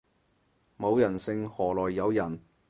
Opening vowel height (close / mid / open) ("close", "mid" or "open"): mid